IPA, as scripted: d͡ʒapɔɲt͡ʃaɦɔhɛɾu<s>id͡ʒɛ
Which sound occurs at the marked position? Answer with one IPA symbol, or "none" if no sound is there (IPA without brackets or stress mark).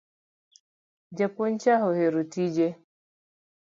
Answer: t